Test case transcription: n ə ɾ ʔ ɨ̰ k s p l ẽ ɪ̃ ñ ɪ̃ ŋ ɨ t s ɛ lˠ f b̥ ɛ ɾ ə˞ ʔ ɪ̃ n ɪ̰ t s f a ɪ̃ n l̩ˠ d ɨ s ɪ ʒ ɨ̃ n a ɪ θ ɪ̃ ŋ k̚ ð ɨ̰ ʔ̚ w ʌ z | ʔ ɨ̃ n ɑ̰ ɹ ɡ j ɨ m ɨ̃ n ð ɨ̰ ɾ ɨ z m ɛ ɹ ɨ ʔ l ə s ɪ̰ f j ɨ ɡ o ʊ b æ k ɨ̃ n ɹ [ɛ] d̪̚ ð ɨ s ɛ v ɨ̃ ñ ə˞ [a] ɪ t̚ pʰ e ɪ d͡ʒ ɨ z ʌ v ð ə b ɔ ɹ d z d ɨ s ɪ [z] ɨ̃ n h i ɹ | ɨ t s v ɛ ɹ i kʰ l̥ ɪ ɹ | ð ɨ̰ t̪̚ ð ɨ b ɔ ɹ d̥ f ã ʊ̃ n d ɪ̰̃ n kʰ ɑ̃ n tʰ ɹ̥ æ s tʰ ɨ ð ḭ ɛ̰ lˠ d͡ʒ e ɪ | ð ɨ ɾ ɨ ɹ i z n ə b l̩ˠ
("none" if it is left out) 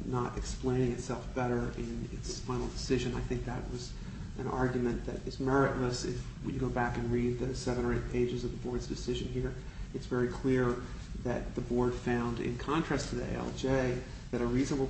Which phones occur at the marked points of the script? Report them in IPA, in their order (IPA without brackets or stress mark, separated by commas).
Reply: i, e, ʒ